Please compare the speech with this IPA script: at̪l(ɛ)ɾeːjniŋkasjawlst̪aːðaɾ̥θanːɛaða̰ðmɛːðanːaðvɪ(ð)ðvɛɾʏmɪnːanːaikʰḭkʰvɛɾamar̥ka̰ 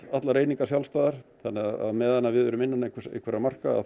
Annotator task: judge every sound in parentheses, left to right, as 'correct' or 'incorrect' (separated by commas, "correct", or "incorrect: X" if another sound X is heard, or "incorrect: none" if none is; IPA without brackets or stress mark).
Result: incorrect: a, correct